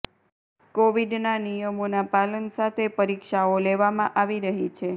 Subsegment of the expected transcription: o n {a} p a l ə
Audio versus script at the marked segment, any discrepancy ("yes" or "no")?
no